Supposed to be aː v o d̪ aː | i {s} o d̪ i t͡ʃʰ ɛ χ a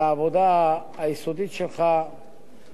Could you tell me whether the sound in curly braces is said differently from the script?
no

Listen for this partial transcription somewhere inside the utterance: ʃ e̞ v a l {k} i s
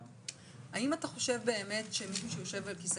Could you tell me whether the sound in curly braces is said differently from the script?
no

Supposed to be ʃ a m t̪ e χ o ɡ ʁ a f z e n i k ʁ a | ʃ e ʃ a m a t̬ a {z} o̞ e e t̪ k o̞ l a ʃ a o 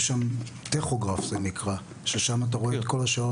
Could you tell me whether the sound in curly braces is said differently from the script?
yes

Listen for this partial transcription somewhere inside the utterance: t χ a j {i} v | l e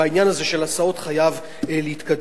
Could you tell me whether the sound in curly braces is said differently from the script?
yes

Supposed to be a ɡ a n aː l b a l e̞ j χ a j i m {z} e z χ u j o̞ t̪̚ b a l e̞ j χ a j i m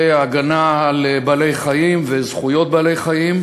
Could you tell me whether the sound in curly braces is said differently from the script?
yes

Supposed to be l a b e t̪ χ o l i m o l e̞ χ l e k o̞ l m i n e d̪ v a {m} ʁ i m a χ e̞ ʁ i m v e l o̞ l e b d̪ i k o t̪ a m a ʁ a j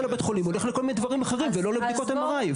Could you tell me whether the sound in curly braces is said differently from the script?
yes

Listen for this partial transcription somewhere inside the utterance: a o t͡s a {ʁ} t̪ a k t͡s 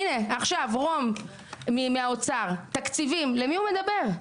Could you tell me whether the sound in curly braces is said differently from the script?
no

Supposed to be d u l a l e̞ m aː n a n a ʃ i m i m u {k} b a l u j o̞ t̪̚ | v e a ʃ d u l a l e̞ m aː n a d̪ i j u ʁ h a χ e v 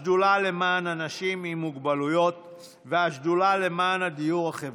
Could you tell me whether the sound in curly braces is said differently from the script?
yes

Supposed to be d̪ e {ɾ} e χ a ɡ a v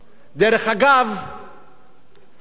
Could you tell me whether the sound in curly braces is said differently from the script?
no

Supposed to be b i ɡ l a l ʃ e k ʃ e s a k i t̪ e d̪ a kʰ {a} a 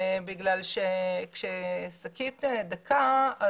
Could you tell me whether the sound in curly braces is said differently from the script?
no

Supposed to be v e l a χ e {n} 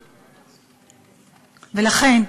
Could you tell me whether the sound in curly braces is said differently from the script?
no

